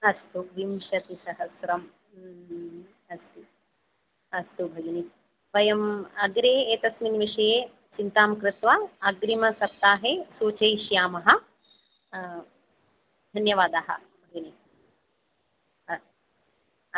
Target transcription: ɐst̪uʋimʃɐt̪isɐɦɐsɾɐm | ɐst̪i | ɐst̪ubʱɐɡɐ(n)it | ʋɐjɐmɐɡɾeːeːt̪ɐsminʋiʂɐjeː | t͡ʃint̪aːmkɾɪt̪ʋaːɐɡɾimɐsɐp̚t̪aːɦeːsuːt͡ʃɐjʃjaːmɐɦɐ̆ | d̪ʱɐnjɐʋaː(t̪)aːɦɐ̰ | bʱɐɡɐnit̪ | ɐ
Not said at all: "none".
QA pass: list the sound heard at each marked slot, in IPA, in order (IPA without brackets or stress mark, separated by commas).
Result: n, d̪